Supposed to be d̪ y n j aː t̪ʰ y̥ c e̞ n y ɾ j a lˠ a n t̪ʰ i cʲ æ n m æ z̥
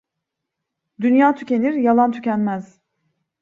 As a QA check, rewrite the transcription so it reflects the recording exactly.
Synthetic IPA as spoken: d̪ y n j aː t̪ʰ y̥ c e̞ n i ɾ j a lˠ a n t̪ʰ y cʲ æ n m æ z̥

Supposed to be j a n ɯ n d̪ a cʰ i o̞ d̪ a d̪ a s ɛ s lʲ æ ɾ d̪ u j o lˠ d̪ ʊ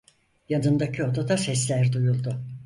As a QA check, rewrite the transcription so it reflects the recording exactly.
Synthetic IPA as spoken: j a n ɯ n d̪ a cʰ i o̞ d̪ a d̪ a s ɛ s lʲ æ ɾ d̪ u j u lˠ d̪ ʊ

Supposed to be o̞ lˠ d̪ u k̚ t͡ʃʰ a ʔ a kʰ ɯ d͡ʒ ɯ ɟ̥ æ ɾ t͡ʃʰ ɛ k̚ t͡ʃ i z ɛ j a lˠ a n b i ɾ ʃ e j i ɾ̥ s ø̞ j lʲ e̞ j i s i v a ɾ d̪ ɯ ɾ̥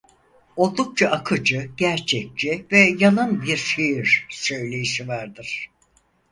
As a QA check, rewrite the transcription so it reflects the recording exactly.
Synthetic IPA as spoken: o̞ lˠ d̪ u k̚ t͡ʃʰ a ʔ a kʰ ɯ d͡ʒ ɯ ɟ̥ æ ɾ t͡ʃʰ ɛ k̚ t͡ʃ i v ɛ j a lˠ a n b i ɾ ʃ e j i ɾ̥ s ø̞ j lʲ e̞ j i ʃ i v a ɾ d̪ ɯ ɾ̥

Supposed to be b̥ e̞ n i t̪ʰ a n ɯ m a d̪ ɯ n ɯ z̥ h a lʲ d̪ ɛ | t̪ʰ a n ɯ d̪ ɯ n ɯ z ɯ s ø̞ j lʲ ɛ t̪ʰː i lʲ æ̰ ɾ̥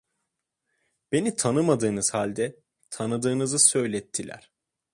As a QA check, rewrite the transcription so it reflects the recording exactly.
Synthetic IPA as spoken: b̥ e̞ n i t̪ʰ a n ɯ m a d̪ ɯː n ɯ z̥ h a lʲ d̪ ɛ | t̪ʰ a n ɯ d̪ ɯː n ɯ z ɯ s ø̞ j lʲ ɛ t̪ʰː i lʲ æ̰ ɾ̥

